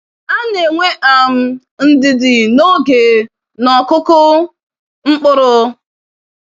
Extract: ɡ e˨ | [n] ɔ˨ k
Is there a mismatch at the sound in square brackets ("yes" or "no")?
no